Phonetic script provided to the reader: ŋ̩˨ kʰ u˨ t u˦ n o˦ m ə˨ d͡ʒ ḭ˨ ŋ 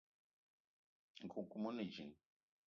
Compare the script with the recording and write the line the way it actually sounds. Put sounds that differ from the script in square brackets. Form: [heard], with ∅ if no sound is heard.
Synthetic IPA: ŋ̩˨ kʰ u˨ [k] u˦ [m] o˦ [n] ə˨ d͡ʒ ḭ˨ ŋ